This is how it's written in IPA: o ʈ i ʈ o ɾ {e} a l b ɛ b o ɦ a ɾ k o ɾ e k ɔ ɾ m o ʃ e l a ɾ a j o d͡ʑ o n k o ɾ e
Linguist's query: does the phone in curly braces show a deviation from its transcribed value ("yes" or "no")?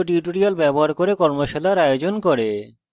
yes